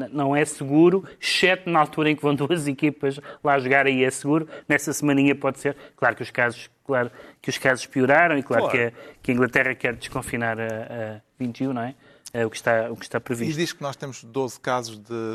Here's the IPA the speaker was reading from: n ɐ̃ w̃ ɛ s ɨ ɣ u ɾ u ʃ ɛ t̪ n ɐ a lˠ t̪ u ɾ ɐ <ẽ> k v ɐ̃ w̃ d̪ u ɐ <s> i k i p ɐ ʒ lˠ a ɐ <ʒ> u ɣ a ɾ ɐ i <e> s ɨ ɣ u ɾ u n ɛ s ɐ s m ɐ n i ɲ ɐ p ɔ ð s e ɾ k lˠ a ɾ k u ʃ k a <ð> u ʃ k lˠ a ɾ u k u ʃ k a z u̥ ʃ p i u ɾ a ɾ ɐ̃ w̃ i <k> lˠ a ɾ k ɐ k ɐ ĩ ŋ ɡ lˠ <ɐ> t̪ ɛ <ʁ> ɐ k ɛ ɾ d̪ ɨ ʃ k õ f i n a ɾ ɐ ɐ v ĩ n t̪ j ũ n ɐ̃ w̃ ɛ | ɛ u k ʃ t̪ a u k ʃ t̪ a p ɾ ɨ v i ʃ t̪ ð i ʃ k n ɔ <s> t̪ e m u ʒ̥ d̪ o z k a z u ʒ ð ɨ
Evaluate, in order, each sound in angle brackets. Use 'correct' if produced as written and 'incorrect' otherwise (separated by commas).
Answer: correct, incorrect, correct, incorrect, incorrect, correct, correct, correct, incorrect